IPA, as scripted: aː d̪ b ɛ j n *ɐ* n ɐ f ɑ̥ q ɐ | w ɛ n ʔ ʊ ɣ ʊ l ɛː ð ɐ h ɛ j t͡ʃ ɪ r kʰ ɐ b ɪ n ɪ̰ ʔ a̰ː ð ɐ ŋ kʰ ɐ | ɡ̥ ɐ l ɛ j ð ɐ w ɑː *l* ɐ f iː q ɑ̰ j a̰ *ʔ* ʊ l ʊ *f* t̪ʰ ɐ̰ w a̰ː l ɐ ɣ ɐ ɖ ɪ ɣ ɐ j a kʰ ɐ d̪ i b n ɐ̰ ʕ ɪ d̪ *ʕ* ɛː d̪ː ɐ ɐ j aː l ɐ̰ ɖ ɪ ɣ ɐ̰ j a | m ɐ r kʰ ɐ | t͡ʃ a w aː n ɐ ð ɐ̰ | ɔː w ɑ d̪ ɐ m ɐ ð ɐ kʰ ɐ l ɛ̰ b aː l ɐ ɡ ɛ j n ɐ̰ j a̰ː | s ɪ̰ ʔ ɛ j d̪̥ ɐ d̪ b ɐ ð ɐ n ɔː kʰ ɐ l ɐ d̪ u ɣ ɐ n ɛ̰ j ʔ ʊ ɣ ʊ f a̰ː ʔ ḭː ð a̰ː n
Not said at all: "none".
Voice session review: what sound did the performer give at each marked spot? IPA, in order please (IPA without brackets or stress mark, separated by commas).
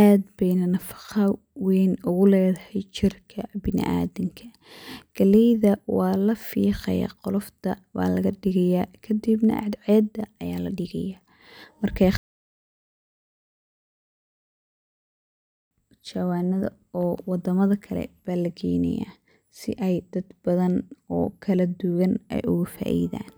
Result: ɐ, l, q, f, ʕ